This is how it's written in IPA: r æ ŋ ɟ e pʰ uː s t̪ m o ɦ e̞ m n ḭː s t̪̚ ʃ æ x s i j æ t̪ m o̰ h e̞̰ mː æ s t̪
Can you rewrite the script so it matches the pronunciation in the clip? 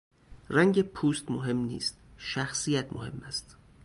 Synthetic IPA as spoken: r æ ŋ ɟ e pʰ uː s t̪ m o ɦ e̞ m n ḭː s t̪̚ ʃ æ x s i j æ t̪ m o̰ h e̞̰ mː æ s t̪